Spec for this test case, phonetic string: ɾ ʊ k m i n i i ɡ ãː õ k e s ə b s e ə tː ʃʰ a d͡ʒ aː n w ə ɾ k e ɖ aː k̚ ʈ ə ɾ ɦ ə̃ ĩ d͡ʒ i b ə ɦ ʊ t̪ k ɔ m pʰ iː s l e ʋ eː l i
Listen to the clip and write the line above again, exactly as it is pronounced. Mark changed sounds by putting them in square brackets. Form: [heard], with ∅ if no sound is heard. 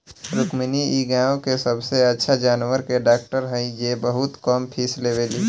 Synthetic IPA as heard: ɾ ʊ k m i n i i ɡ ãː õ k e s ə b s e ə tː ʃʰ a d͡ʒ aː n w ə ɾ k e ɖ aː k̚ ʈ ə ɾ ɦ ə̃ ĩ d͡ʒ [e] b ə ɦ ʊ t̪ k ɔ m pʰ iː s l e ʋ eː l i